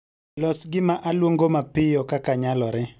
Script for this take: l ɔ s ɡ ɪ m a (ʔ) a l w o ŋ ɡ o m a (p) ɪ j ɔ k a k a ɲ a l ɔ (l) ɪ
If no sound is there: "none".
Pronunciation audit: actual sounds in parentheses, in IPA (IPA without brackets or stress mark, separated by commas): ʔ, p, ɾ